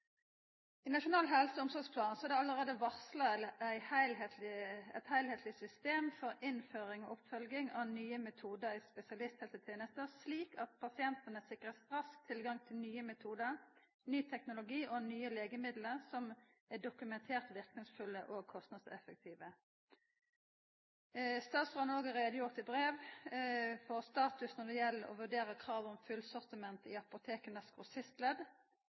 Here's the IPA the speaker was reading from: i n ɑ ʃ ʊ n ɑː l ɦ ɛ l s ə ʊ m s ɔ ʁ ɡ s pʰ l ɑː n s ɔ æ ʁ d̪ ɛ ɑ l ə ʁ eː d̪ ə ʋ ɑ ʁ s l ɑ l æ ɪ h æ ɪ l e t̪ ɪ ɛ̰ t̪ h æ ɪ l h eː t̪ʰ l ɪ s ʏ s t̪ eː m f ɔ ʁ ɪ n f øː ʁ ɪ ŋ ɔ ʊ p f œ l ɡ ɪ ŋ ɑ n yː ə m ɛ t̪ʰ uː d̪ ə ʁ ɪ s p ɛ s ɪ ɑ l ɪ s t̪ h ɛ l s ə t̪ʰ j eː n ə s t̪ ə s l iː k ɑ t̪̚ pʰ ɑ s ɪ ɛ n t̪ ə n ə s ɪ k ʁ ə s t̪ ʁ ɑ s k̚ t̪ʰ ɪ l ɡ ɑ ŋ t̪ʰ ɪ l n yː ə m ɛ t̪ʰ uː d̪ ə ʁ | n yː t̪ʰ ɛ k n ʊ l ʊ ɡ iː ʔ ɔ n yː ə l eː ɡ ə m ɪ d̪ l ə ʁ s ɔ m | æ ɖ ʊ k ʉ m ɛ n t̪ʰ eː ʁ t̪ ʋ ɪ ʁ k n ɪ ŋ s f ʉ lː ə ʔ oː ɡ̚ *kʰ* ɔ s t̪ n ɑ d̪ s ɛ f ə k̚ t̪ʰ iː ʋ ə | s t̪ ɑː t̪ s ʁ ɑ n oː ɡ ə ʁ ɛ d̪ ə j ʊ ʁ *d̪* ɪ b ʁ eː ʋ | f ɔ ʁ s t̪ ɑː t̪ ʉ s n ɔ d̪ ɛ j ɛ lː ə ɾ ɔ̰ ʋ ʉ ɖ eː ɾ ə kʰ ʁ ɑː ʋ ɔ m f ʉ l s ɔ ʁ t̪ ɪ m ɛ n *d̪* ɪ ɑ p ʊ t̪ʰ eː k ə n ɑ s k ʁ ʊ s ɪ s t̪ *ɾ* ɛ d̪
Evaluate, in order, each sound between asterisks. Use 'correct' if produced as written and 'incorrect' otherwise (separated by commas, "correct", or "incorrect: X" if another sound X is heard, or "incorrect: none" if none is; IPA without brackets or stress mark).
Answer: correct, incorrect: t̪, incorrect: t̪, incorrect: l